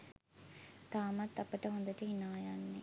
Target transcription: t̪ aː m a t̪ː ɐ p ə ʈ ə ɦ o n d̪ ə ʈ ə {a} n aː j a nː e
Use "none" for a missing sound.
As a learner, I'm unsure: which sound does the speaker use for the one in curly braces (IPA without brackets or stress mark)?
i